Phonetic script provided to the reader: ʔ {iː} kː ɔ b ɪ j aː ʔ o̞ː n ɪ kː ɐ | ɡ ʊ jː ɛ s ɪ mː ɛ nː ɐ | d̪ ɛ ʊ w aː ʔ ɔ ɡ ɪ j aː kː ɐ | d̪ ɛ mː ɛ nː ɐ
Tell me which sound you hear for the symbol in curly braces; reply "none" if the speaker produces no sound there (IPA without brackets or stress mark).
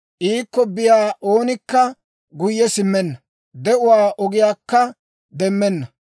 iː